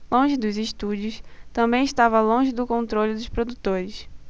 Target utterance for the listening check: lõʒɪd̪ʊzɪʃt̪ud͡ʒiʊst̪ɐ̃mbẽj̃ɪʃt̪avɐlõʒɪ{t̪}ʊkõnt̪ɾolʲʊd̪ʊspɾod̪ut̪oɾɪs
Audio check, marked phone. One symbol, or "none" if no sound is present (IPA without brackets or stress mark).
d̪